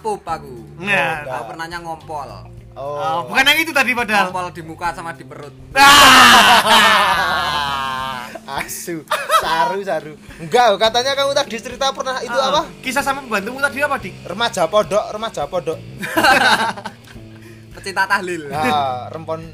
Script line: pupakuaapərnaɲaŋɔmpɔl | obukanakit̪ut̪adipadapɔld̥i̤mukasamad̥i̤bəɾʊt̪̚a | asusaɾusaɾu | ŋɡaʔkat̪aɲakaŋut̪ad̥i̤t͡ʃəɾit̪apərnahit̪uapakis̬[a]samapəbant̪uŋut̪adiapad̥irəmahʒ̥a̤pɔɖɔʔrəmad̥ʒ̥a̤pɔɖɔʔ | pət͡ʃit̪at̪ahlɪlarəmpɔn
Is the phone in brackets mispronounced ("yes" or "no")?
no